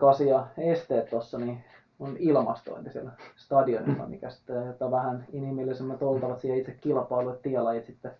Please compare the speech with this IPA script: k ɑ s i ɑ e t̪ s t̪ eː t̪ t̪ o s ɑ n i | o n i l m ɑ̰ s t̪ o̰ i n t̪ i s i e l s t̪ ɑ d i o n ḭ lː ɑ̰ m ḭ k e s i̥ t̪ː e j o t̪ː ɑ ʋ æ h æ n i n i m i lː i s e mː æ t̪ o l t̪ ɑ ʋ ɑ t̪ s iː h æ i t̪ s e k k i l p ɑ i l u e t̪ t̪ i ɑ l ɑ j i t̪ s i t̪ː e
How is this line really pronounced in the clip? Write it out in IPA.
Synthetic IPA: k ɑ s i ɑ e s t̪ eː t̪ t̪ o sː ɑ n i | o n i l m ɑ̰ s t̪ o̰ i n t̪ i s i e l s t̪ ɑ d i o n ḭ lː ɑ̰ m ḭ k æ s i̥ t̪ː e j o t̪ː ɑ ʋ æ h æ n i n i m i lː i s e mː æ t̪ o l t̪ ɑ ʋ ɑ t̪ s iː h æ i t̪ s e k k i l p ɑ i l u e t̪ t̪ i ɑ l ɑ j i t̪ s i t̪ː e